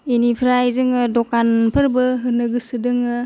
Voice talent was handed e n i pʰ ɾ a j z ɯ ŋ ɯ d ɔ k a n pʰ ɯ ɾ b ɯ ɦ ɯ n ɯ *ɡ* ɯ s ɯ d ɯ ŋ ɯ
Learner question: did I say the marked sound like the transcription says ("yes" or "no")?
yes